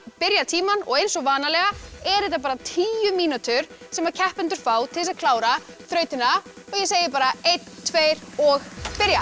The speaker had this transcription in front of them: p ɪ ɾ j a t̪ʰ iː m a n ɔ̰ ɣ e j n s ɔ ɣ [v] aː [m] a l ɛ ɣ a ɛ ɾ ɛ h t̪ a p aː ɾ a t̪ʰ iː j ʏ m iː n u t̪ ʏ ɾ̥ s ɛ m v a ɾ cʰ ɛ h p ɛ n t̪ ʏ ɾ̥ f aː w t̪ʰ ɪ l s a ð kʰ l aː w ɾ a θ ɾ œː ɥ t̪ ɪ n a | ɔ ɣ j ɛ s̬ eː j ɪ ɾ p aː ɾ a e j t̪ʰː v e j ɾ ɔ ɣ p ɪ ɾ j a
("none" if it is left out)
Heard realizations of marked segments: v, n

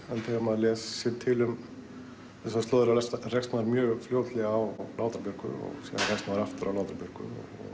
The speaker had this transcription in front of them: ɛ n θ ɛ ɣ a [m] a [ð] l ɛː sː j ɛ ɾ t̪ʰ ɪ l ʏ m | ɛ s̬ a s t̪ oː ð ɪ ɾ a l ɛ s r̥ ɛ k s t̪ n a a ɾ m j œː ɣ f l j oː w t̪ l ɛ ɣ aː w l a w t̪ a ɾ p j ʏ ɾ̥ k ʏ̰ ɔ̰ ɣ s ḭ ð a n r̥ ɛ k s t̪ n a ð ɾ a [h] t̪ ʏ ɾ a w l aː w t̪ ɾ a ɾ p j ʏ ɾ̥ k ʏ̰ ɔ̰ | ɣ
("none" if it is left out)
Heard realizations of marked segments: m, ð, f

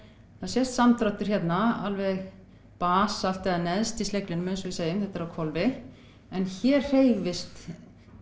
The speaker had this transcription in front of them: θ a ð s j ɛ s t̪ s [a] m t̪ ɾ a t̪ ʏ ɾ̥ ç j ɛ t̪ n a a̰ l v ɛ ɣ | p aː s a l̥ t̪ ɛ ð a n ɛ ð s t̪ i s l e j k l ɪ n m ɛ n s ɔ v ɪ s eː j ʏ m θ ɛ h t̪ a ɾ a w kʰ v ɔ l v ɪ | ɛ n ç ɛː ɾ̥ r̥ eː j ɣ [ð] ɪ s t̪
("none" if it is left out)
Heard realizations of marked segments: a, v

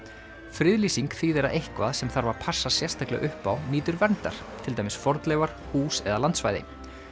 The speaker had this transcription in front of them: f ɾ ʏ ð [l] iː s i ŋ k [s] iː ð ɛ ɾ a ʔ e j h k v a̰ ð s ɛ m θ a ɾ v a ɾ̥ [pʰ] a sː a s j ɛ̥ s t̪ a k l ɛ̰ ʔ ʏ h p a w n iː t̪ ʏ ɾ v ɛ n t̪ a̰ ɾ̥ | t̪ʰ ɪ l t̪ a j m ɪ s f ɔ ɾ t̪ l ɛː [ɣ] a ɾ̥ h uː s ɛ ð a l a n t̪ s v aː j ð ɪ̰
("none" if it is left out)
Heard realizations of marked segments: l, θ, pʰ, v

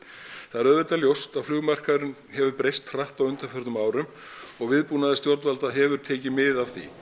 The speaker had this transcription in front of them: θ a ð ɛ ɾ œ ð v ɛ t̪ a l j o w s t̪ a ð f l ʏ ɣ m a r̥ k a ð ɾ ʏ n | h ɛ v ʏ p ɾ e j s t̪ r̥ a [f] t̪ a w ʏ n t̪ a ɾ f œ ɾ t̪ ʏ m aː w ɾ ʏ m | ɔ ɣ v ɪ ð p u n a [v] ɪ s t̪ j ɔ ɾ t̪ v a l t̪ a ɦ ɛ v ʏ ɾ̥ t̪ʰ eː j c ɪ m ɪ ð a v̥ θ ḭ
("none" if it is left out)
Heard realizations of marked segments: h, ð

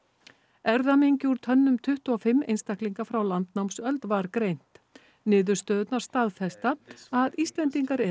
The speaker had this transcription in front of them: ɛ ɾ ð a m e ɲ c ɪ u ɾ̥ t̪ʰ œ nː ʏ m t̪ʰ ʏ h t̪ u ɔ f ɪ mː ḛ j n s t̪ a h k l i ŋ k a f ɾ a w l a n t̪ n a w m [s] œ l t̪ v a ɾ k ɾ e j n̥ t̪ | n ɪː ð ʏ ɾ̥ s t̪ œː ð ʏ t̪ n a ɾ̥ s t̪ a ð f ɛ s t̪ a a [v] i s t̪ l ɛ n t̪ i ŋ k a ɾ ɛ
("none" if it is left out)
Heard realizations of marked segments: s, ð

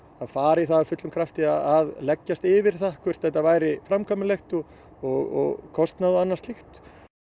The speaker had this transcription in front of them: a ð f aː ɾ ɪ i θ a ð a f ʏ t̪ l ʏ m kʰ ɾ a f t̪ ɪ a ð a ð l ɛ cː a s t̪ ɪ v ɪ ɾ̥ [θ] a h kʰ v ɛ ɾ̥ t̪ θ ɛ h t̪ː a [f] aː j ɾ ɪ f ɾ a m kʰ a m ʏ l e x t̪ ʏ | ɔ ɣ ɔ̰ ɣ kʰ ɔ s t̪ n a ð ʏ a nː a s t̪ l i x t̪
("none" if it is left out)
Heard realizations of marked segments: θ, v

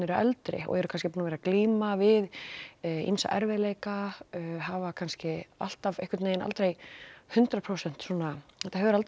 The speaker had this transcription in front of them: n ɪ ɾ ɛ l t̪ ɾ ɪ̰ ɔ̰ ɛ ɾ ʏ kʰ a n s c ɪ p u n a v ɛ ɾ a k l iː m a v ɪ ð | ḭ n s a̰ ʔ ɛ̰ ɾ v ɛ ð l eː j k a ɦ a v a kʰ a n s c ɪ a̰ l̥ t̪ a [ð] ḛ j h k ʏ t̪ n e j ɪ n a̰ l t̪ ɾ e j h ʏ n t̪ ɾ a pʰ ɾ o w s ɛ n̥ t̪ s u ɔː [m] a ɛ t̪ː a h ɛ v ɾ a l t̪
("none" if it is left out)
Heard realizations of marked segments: v, n

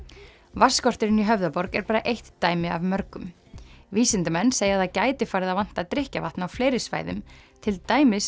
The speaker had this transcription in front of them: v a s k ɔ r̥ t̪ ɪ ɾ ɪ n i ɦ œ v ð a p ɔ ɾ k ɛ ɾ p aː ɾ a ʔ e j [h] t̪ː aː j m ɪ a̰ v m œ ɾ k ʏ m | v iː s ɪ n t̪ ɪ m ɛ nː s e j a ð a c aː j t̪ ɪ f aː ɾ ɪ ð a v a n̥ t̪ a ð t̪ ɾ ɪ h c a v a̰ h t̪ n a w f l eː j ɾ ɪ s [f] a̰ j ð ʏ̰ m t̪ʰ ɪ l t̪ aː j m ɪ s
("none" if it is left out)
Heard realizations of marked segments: h, v

